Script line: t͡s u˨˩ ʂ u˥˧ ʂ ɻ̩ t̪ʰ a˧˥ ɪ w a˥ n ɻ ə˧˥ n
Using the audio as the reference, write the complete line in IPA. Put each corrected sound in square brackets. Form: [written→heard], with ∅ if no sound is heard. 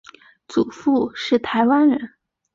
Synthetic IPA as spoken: t͡s u˨˩ [ʂ→f] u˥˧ ʂ ɻ̩ t̪ʰ a˧˥ ɪ w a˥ n ɻ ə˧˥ n